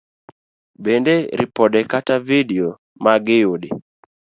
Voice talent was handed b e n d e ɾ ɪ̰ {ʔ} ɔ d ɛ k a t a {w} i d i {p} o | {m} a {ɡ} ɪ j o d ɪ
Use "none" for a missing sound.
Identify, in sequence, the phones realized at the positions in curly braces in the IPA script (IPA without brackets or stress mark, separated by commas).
p, v, none, m, ɡ